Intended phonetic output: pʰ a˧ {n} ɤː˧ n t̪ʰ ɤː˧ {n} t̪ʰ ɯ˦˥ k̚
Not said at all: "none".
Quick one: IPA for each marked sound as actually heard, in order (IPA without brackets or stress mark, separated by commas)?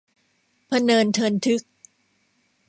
n, n